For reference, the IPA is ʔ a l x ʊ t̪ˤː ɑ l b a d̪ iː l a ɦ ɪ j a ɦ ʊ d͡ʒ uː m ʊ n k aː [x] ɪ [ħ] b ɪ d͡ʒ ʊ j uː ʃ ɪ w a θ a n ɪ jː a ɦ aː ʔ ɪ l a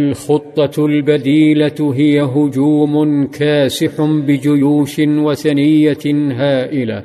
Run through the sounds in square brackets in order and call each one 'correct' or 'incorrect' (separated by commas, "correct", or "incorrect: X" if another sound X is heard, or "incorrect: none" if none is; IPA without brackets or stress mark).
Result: incorrect: s, correct